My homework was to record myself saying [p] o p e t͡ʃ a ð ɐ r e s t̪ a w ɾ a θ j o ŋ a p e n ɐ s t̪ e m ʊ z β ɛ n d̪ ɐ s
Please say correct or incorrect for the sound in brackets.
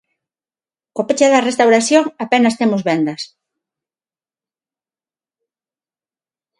incorrect